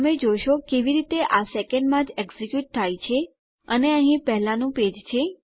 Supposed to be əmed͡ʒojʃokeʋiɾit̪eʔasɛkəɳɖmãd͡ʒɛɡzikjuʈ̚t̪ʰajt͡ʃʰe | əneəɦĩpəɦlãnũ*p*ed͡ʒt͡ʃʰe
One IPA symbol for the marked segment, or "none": p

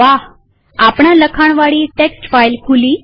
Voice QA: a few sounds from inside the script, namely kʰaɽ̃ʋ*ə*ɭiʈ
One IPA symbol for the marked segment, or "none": a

